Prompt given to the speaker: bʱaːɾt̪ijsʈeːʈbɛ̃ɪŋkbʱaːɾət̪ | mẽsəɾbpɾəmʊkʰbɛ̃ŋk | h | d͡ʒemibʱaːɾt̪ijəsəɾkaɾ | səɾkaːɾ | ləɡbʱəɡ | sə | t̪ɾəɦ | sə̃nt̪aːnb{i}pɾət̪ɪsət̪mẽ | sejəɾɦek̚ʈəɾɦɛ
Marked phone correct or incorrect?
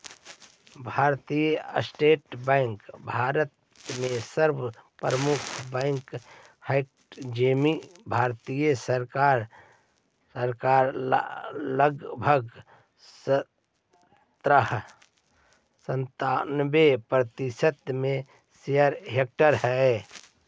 incorrect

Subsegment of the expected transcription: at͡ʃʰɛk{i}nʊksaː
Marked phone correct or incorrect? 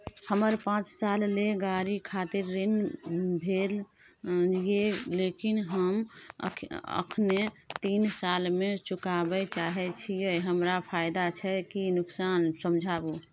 correct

